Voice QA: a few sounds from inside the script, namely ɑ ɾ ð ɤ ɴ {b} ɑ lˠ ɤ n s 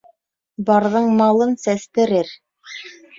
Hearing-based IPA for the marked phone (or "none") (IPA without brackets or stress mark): m